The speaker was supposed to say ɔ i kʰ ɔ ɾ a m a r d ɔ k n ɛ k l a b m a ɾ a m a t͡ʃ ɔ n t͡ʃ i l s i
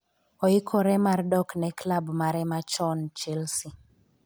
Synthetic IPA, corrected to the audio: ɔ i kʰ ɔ ɾ ɛ m a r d ɔ k n ɛ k l a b m a ɾ ɛ m a t͡ʃ ɔ n t͡ʃ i l s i